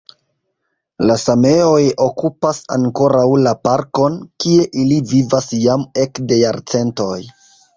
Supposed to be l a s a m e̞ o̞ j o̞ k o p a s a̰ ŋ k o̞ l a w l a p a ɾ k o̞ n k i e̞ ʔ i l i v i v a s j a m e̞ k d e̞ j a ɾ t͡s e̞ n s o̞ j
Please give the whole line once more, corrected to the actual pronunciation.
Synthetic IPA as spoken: l a s a m e̞ o̞ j o̞ k u p a s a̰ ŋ k o̞ ɾ a w l a p a ɾ k o̞ n k i e̞ ʔ i l i v i v a s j a m e̞ k d e̞ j a ɾ t͡s e̞ n t o̞ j